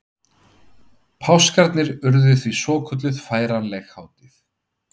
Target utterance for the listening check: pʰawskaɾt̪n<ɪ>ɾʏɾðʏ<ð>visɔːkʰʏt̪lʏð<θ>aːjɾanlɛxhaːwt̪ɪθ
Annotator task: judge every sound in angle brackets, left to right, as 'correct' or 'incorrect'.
correct, incorrect: θ, incorrect: f

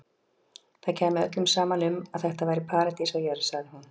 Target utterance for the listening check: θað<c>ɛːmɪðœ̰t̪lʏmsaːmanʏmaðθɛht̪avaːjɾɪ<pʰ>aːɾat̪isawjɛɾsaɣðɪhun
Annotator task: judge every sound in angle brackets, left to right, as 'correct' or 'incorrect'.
incorrect: cʰ, correct

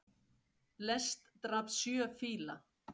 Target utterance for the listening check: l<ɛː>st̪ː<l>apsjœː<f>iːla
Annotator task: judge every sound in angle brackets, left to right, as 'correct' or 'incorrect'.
incorrect: ɛ, incorrect: ɾ, correct

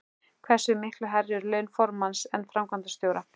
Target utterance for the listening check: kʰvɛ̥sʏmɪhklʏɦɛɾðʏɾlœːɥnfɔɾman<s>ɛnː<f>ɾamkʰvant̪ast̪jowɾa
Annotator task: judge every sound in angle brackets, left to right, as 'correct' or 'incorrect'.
correct, correct

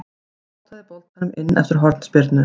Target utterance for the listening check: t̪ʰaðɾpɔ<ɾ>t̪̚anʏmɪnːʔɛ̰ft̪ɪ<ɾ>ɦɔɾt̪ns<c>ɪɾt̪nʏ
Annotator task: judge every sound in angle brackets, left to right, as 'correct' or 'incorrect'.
incorrect: l, correct, incorrect: p

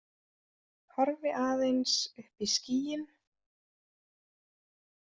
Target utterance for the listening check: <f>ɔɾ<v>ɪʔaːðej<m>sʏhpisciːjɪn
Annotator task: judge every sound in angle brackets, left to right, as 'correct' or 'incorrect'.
incorrect: h, correct, incorrect: n

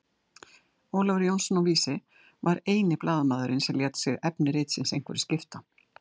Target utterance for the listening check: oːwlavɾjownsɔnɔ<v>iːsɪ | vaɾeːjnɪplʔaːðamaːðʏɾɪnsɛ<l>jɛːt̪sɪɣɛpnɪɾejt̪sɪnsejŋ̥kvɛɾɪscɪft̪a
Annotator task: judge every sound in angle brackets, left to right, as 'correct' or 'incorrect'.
correct, correct

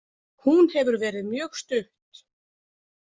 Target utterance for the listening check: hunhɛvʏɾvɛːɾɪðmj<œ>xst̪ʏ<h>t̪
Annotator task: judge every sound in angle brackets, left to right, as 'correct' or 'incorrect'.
incorrect: œː, correct

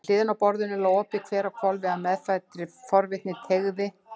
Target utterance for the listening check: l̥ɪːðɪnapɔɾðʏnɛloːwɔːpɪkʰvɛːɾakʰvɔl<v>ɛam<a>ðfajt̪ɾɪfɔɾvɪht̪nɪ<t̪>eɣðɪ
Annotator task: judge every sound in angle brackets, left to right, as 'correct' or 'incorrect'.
correct, incorrect: ɛ, incorrect: t̪ʰ

